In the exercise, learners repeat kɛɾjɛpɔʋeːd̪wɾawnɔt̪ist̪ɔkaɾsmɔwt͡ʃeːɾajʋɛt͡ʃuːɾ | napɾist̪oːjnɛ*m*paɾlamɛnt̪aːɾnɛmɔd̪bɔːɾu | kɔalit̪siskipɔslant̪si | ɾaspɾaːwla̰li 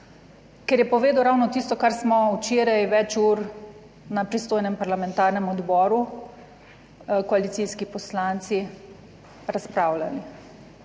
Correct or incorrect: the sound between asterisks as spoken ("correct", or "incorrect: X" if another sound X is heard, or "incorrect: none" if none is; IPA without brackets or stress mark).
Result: correct